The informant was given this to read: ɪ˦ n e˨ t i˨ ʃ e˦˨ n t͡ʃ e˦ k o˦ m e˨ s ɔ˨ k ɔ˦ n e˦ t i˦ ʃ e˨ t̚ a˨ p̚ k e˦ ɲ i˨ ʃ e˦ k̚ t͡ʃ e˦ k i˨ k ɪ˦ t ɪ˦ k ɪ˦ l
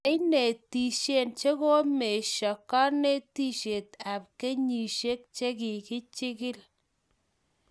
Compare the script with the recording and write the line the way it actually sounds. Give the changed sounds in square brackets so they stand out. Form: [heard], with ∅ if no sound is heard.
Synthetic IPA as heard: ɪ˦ n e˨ t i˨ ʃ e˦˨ n t͡ʃ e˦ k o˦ m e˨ [ʃ] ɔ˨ k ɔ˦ n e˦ t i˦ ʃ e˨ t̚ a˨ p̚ k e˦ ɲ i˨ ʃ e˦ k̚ t͡ʃ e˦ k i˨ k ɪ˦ [t͡ʃ] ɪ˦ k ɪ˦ l